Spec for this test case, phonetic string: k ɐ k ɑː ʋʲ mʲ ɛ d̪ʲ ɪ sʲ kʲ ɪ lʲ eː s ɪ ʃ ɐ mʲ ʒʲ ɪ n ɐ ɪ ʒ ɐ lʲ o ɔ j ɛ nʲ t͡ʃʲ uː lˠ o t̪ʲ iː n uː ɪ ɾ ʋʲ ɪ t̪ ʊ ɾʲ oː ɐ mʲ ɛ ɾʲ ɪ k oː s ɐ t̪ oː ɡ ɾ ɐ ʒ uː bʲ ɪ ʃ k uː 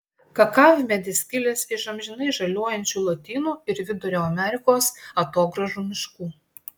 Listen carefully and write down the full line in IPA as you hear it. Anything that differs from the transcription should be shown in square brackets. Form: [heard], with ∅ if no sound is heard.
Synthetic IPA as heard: k ɐ k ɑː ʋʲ mʲ ɛ d̪ʲ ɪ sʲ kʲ ɪ lʲ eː s ɪ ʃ ɐ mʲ ʒʲ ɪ n ɐ ɪ ʒ ɐ lʲ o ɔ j ɛ nʲ t͡ʃʲ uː lˠ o t̪ʲ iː n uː ɪ ɾ ʋʲ ɪ [d̪] ʊ ɾʲ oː ɐ mʲ ɛ ɾʲ ɪ k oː s ɐ t̪ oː ɡ ɾ ɐ ʒ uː [mʲ] ɪ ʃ k uː